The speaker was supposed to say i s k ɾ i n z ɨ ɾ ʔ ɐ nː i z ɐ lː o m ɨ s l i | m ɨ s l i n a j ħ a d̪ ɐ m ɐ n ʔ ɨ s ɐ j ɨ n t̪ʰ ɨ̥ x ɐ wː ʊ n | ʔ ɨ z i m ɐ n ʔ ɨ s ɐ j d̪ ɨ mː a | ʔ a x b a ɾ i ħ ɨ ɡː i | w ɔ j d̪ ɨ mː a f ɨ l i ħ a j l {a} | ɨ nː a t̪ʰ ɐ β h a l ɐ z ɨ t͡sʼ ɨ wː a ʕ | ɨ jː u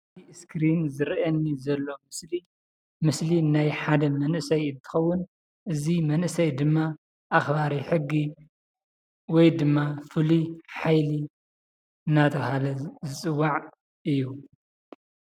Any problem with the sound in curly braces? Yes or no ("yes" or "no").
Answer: yes